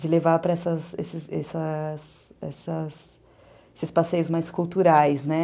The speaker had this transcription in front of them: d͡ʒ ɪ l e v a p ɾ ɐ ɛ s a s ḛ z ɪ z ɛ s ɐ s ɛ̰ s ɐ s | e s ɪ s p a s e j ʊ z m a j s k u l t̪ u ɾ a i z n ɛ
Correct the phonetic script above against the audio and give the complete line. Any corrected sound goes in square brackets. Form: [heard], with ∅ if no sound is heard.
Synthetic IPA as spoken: d͡ʒ ɪ l e v a p ɾ ɐ ɛ s [ɐ] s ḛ [s] ɪ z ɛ s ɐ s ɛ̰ s ɐ s | e s ɪ s p a s e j ʊ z m a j s k u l t̪ u ɾ a [j] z n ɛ